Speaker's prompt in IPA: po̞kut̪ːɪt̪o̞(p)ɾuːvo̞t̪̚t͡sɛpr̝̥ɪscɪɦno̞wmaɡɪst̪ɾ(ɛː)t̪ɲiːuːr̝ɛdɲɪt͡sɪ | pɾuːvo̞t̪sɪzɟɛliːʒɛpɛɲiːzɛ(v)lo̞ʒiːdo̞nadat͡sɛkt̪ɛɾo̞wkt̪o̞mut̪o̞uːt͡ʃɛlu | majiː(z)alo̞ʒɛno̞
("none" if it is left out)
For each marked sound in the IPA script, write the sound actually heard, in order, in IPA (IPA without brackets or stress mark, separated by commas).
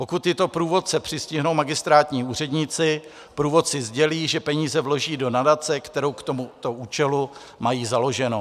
p, aː, v, z